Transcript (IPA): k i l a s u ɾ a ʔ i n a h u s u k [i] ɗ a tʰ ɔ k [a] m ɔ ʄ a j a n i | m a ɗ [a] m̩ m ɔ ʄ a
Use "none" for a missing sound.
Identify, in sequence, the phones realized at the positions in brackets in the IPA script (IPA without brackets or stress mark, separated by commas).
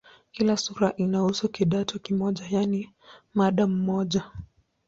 i, i, a